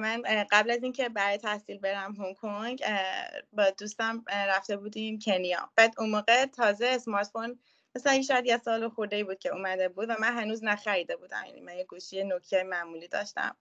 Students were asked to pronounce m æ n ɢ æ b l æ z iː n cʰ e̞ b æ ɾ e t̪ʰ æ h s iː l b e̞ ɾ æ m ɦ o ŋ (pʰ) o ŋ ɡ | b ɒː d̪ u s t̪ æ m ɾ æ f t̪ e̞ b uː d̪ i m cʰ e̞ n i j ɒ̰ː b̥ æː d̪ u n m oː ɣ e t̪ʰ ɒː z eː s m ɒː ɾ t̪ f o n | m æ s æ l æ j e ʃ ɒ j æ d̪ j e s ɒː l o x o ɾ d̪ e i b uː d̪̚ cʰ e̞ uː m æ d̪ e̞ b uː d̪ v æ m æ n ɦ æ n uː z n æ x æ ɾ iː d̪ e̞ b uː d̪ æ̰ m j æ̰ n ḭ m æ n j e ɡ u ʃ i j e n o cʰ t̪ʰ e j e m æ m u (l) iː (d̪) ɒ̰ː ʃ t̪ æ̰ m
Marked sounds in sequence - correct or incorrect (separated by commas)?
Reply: incorrect, correct, correct